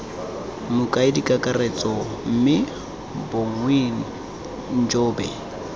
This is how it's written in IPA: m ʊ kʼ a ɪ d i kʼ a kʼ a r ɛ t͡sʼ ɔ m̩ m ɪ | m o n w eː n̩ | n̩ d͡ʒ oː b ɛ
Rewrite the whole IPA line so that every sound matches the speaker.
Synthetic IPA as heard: m ʊ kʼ a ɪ d i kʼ a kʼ a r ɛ t͡sʼ ɔ m̩ m ɪ | b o ŋ w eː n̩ | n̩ d͡ʒ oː b ɛ